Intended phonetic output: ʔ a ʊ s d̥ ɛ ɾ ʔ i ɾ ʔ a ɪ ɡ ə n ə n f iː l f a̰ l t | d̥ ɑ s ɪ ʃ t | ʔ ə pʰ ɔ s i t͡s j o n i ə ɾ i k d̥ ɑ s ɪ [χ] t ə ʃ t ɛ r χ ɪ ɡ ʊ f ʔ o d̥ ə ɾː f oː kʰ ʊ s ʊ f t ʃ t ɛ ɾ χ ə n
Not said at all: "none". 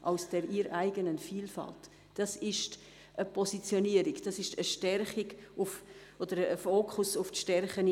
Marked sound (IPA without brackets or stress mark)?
ʃ